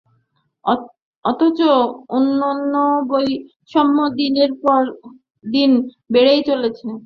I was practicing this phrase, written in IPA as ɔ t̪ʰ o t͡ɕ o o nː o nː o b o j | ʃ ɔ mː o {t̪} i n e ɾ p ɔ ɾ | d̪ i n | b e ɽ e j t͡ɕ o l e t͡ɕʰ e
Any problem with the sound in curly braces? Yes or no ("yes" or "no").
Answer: yes